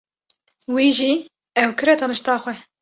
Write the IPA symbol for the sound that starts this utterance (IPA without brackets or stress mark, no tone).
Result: w